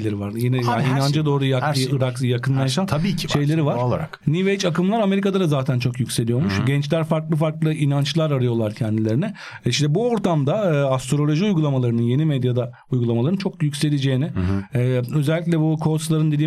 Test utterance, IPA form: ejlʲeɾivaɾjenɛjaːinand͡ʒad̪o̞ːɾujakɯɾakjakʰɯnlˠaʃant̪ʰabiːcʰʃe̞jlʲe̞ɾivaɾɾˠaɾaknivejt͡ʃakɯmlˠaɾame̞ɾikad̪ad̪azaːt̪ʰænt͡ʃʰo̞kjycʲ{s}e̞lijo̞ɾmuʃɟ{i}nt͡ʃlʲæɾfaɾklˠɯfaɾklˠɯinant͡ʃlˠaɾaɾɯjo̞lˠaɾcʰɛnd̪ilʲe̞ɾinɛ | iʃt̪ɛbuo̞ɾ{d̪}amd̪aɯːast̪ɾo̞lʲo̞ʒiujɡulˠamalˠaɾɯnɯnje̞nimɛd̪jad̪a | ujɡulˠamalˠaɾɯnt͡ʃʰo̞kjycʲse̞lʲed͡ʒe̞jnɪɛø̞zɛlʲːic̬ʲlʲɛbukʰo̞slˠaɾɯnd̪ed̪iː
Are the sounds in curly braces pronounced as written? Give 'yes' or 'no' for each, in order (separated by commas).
yes, no, no